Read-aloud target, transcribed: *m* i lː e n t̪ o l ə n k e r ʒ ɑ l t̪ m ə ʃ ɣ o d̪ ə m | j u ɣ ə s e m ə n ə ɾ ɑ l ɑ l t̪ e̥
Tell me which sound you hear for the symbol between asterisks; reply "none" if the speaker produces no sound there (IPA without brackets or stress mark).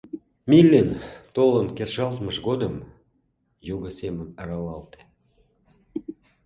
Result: m